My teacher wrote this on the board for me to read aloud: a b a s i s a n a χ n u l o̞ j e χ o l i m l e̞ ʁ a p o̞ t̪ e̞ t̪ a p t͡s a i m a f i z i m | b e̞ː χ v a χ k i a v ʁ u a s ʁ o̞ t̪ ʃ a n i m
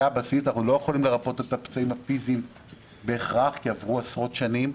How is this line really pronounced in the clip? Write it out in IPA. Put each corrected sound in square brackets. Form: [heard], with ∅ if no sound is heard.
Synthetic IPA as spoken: a b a s i s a n a χ n u l o̞ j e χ o l i m l e̞ ʁ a p o̞ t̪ e̞ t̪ a p t͡s a i m a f i z i m | b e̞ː χ [ʁ] a χ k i a v ʁ u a s ʁ o̞ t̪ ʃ a n i m